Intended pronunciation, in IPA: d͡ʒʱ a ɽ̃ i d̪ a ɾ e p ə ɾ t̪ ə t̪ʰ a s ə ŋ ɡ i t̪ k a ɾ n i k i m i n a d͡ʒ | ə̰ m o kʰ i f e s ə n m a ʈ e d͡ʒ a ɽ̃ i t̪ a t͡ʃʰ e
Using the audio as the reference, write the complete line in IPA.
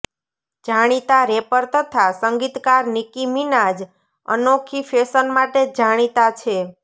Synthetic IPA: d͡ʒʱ a ɽ̃ i t̪ a ɾ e p ə ɾ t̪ ə t̪ʰ a s ə ŋ ɡ i t̪ k a ɾ n i k i m i n a d͡ʒ | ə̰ n o kʰ i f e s ə n m a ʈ e d͡ʒ a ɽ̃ i t̪ a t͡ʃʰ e